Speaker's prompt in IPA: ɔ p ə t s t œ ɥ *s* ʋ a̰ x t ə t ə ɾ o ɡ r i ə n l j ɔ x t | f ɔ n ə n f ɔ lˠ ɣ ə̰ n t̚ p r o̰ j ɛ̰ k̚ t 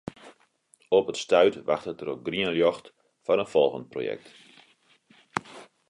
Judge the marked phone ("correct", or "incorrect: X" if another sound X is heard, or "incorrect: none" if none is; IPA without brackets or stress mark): incorrect: t